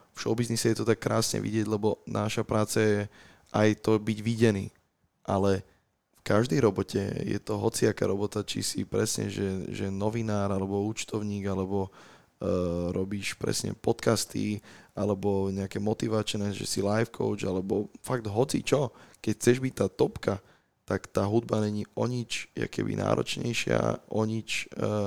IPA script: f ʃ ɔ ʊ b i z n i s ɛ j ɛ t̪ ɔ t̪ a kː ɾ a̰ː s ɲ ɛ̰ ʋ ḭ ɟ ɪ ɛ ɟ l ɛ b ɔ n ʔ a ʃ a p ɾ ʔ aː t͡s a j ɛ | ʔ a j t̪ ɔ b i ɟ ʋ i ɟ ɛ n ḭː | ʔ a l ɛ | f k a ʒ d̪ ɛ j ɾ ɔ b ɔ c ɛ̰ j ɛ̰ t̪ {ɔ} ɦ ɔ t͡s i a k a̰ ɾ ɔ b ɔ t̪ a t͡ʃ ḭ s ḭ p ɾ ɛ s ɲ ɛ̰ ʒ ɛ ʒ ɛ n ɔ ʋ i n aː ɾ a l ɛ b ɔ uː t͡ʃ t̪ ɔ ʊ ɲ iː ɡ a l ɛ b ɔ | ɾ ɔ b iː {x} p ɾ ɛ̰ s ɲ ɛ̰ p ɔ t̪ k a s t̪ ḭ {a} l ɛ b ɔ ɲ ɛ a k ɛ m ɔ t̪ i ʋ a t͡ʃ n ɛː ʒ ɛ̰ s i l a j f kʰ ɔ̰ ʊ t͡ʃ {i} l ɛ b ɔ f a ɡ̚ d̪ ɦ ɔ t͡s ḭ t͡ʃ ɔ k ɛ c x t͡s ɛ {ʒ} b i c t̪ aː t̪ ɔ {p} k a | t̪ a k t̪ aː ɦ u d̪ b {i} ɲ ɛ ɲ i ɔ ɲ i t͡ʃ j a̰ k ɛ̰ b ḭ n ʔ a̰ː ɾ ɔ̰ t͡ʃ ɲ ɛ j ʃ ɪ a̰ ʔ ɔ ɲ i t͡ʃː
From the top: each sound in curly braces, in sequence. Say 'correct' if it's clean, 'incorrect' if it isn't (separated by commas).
correct, incorrect, correct, incorrect, correct, correct, incorrect